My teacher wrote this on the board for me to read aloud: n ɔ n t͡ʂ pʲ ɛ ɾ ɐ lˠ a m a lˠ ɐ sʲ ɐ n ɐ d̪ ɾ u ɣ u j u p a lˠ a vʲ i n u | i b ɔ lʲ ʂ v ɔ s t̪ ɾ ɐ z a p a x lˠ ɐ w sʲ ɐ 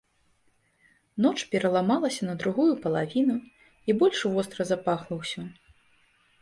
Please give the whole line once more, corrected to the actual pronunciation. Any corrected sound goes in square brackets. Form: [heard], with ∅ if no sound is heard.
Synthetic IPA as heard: n ɔ [∅] t͡ʂ pʲ ɛ ɾ ɐ lˠ a m a lˠ ɐ sʲ ɐ n ɐ d̪ ɾ u ɣ u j u p [ɐ] lˠ a vʲ i n u | i b ɔ lʲ ʂ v ɔ s t̪ ɾ ɐ z a p a x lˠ ɐ w sʲ ɐ